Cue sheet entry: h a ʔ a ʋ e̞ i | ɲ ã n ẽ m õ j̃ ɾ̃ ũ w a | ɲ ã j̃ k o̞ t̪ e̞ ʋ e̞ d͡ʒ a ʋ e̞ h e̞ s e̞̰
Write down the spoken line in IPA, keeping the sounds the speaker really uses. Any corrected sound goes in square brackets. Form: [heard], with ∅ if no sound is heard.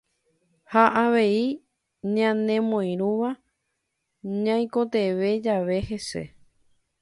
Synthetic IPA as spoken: h a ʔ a ʋ e̞ i | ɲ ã n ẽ m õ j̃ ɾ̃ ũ [ʋ] a | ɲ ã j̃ k o̞ t̪ e̞ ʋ e̞ d͡ʒ a ʋ e̞ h e̞ s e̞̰